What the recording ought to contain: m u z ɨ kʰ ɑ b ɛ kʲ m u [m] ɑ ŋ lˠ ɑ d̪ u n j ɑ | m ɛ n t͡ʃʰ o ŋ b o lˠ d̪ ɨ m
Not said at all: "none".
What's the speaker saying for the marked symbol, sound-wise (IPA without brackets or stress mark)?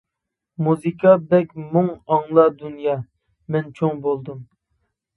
ŋ